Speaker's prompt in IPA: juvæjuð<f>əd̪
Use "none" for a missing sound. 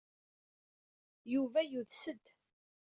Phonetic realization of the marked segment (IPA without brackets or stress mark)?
s